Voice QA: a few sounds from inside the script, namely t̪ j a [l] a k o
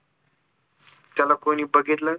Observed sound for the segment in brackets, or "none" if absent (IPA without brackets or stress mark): l